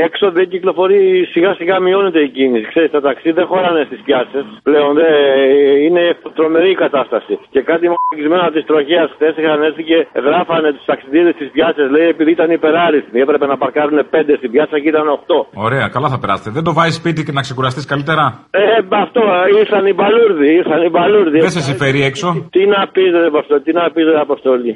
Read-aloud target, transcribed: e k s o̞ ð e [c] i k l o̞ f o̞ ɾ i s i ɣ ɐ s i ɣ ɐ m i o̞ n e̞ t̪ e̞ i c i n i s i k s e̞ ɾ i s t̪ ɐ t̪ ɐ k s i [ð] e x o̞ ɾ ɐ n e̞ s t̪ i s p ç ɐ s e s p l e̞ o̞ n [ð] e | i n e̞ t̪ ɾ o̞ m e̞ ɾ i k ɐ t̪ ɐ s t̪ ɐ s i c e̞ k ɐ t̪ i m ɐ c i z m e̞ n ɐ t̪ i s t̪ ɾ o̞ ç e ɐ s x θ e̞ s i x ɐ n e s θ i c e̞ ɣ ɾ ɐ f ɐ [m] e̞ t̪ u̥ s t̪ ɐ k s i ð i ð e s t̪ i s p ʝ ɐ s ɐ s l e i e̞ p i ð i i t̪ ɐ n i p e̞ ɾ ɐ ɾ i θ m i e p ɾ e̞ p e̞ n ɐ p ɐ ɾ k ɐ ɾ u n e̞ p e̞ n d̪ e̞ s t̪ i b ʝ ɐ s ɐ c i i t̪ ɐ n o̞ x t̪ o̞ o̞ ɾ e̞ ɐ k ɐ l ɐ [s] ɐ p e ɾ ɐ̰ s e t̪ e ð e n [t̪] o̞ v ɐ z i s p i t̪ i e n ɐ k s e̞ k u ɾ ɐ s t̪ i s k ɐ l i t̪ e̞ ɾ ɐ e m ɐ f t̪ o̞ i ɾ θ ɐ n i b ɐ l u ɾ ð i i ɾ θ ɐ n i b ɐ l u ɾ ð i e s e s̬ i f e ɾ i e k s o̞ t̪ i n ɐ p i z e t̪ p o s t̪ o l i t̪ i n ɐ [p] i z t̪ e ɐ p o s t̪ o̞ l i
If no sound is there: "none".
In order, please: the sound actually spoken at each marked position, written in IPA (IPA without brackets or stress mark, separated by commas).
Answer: c, ð, ð, n, θ, d̪, p